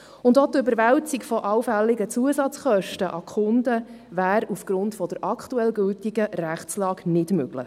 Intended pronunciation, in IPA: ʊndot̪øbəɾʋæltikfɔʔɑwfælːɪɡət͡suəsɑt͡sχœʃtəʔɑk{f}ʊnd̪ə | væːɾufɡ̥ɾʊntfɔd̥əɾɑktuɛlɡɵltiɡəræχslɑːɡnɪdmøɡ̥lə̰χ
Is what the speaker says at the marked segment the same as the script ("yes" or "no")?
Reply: no